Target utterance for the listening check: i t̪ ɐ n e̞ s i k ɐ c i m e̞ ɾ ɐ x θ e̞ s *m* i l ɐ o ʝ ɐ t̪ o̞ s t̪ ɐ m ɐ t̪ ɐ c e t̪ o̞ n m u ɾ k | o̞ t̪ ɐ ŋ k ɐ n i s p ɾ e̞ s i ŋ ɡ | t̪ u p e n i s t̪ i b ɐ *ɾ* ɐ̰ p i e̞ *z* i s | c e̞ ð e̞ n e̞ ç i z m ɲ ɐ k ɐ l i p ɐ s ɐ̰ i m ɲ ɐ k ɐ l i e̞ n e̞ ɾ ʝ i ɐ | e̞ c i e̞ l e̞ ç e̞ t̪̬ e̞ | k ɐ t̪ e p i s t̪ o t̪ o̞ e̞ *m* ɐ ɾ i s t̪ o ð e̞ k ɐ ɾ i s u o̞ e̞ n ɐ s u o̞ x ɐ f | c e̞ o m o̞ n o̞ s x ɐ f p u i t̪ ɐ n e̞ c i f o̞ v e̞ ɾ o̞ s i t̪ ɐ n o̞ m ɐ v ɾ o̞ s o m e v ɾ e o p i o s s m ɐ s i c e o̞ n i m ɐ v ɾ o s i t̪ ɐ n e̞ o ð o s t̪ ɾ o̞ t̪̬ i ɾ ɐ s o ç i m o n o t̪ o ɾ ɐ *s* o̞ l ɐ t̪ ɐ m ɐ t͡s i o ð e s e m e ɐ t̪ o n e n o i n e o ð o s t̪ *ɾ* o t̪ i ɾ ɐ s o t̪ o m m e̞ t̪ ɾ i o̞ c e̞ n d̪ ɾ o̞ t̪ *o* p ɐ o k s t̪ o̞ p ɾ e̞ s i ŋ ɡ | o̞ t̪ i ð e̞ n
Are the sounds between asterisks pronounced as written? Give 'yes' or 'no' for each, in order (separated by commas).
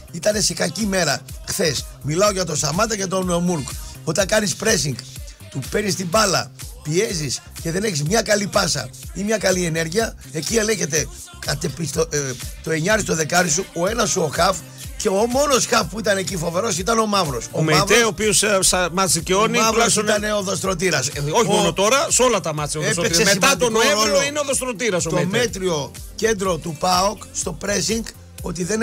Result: yes, no, yes, no, yes, yes, no